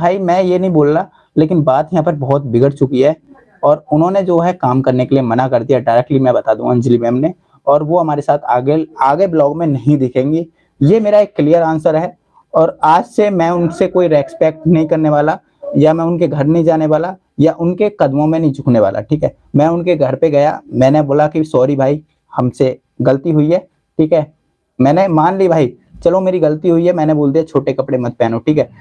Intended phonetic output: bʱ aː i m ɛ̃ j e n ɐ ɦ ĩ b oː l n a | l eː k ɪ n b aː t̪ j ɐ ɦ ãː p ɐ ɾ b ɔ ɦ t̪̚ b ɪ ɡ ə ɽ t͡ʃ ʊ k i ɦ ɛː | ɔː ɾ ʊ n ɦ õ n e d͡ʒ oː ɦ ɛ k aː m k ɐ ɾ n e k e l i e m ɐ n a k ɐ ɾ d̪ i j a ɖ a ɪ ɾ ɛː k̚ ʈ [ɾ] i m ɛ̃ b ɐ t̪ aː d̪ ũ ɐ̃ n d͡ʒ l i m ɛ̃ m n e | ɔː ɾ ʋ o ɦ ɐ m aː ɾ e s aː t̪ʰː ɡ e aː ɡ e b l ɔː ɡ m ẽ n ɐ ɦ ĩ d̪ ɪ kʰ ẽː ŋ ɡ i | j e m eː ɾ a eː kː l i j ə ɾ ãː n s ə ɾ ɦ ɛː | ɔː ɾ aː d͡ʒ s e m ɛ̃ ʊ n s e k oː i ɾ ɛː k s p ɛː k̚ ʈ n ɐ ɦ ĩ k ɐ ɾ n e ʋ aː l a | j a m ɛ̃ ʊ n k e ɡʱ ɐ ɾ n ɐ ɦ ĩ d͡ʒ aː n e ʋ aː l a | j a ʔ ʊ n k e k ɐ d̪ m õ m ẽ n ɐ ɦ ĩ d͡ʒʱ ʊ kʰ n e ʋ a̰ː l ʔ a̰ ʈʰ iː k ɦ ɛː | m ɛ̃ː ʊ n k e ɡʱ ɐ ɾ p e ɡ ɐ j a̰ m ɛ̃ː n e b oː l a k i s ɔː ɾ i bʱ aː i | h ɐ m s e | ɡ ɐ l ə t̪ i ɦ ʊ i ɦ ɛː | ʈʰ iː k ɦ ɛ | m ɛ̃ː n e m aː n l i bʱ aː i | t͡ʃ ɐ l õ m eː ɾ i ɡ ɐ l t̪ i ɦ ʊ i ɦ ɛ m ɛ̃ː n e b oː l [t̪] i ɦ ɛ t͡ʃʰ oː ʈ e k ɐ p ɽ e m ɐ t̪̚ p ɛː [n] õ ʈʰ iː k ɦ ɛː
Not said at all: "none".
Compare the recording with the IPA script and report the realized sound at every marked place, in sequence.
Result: l, d̪, n

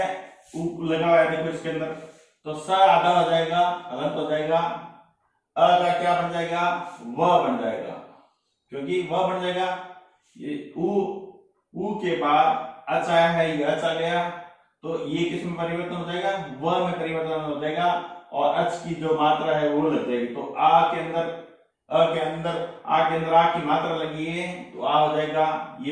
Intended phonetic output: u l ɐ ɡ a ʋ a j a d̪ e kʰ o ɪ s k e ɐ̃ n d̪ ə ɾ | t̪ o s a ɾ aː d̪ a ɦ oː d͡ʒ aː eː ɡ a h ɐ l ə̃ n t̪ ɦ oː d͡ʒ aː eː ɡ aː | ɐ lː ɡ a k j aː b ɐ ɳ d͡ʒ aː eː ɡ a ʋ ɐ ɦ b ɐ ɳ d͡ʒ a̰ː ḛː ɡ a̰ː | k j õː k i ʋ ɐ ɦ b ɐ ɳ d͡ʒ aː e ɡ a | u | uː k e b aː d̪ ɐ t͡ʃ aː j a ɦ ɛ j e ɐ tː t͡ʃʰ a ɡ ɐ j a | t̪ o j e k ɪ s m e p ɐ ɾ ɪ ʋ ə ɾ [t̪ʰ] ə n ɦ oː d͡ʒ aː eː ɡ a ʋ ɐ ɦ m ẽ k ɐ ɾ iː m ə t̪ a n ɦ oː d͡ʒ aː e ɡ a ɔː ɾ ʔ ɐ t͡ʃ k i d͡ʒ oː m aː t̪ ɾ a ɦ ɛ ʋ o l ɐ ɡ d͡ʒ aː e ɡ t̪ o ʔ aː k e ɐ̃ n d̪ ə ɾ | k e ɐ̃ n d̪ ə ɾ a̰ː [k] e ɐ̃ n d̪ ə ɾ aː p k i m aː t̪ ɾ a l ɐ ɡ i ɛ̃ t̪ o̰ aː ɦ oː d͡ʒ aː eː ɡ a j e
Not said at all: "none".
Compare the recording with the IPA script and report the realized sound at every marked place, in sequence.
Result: t̪, k

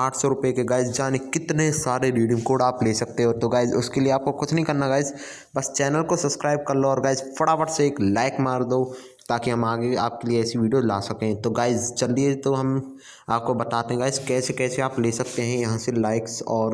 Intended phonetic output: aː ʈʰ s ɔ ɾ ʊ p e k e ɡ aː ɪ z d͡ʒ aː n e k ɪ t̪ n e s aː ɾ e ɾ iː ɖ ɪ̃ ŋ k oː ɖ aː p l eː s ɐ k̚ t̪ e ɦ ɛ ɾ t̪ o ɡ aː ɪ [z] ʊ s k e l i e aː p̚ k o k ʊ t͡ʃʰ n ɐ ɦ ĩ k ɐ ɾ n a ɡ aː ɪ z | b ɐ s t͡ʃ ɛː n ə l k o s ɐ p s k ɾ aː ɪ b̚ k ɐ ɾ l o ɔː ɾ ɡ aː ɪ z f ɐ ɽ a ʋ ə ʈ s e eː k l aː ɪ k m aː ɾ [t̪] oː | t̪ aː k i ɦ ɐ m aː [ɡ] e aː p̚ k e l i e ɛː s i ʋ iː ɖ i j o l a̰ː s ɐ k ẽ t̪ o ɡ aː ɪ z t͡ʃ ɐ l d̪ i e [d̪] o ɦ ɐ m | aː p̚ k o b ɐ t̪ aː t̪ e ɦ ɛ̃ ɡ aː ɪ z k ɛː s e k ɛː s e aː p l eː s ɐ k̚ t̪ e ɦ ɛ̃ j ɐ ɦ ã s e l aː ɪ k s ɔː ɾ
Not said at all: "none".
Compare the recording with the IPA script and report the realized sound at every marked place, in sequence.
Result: z, d̪, ɡ, t̪

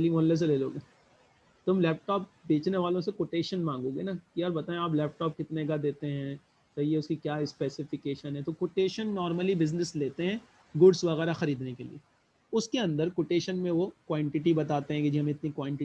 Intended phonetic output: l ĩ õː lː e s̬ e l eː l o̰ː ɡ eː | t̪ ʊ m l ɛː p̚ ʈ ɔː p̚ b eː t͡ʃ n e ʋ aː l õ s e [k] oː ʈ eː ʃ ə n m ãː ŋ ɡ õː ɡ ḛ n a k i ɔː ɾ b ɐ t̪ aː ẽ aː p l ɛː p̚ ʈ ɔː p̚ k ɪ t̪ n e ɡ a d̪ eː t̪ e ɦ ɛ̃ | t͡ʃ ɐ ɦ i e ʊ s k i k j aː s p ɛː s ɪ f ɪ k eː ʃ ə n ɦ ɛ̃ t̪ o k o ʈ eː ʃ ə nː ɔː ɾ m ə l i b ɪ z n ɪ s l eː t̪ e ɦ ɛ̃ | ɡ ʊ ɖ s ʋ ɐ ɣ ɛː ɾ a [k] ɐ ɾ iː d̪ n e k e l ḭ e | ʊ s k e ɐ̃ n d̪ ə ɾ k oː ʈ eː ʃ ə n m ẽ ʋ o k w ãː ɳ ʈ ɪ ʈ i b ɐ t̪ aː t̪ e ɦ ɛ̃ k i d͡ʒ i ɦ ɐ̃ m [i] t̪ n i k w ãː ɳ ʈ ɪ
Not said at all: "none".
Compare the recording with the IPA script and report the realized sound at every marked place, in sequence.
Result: k, x, ɪ

